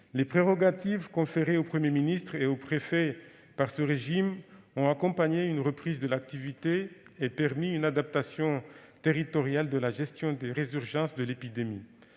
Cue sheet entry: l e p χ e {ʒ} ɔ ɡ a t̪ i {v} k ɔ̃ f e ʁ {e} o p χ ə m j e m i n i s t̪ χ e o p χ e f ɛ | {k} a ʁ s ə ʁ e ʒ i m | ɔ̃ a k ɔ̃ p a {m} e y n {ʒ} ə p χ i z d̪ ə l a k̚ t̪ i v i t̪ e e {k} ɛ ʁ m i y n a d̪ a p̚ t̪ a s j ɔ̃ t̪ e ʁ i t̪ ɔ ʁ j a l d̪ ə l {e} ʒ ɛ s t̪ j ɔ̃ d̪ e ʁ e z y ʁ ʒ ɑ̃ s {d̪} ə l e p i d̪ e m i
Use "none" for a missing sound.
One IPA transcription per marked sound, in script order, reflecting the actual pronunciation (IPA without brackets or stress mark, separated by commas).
ʁ, v, e, p, ɲ, ʁ, p, a, d̪